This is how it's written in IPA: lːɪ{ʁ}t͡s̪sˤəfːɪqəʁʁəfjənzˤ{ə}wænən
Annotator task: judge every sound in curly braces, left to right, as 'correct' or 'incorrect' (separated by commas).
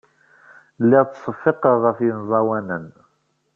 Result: correct, incorrect